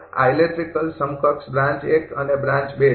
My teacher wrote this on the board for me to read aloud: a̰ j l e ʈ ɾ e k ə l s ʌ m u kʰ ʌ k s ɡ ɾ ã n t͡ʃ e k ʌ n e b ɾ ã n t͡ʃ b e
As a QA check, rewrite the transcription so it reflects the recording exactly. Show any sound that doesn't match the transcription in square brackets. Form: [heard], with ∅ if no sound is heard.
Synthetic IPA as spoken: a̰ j l e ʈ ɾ [i] k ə l s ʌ m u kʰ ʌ k s [b] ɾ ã n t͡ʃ e k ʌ n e b ɾ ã n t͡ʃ b e